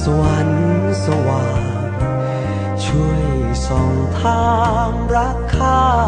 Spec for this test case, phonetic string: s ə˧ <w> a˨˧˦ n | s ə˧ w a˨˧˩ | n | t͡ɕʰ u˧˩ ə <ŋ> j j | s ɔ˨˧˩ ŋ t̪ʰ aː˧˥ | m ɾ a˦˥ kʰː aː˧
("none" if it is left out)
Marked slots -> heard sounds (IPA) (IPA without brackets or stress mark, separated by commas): w, none